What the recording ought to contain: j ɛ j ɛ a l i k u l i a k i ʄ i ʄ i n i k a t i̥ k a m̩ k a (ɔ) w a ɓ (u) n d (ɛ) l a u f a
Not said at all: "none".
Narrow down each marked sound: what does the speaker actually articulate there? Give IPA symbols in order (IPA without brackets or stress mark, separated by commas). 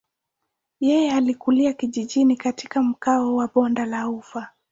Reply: ɔ, ɔ, a